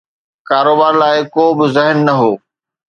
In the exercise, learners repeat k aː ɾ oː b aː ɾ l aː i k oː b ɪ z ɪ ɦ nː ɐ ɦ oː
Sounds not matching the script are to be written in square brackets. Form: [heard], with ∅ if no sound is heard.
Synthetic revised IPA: k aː ɾ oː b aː ɾ l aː [ɪ] k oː b ɪ z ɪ ɦ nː ɐ ɦ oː